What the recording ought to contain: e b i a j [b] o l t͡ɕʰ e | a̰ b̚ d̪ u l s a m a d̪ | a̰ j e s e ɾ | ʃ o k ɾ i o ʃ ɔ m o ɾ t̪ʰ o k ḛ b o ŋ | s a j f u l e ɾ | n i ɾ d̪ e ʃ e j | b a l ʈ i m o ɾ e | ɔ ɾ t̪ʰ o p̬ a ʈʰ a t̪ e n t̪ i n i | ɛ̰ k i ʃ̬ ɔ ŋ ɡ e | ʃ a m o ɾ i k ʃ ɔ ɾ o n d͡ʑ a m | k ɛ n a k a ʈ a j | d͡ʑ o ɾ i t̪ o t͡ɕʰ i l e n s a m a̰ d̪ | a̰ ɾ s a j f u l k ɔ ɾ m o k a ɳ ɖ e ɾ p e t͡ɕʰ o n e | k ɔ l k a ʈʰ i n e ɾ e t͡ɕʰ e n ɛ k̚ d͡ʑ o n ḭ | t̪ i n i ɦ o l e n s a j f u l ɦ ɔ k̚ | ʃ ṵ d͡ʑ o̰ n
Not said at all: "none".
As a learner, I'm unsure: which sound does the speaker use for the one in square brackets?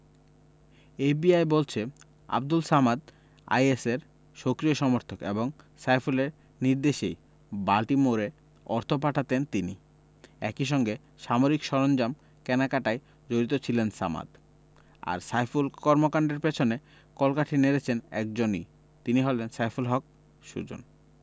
b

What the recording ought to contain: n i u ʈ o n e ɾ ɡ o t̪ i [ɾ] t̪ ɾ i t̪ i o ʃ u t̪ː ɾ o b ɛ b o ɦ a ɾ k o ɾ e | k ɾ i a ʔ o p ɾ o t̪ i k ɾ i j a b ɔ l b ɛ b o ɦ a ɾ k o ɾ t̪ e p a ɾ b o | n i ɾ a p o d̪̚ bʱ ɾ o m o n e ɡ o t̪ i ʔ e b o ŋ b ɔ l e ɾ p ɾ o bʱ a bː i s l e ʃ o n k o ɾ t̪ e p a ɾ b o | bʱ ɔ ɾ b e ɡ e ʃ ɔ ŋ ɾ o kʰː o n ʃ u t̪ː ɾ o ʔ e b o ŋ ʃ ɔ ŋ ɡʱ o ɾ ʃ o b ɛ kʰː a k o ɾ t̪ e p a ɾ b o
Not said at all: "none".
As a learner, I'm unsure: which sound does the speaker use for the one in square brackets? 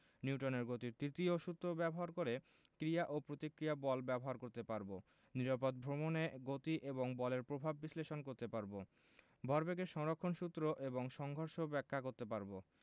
ɾ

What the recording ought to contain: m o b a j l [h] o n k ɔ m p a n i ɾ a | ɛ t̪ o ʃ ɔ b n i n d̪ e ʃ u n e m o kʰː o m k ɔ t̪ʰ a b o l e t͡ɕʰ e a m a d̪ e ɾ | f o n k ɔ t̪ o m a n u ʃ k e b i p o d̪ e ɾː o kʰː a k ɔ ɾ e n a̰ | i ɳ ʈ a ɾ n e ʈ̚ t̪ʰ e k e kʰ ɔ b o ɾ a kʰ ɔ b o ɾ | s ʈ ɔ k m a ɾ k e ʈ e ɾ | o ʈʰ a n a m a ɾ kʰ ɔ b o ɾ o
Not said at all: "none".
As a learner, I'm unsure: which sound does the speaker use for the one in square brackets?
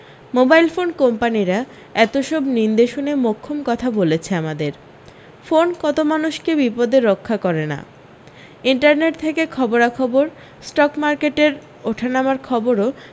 f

